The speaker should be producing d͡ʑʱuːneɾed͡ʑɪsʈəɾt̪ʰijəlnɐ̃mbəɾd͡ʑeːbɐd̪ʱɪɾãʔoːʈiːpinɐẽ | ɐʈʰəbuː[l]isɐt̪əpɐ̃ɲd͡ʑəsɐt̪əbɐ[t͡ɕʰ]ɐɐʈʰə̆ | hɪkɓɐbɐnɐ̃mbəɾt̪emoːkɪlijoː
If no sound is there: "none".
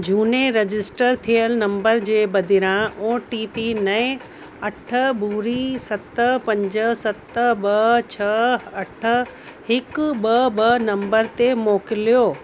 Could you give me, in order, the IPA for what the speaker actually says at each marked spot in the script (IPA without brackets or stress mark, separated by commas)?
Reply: ɾ, t͡ɕʰ